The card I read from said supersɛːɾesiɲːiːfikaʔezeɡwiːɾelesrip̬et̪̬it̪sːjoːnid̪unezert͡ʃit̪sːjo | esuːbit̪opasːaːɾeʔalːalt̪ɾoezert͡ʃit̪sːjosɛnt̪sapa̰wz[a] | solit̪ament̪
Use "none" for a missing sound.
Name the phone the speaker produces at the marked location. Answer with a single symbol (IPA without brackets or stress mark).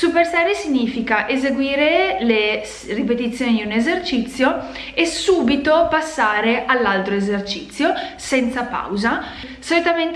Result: a